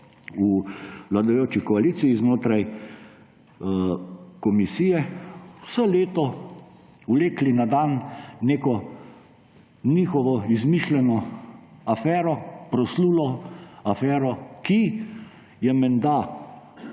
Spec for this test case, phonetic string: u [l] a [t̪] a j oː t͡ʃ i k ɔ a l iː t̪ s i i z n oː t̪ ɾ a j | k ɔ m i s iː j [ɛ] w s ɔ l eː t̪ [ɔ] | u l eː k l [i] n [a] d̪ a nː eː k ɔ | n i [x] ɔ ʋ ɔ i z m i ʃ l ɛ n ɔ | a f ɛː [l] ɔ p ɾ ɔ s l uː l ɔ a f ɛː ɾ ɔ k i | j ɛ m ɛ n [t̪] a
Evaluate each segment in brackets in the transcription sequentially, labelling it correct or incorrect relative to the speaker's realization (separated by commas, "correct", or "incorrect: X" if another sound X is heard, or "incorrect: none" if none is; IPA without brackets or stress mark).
correct, incorrect: d̪, correct, correct, correct, correct, correct, incorrect: ɾ, incorrect: d̪